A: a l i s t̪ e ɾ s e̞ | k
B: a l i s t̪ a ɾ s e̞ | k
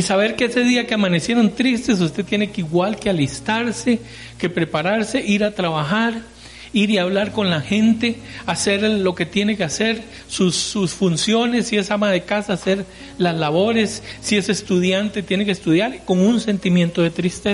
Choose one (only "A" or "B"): B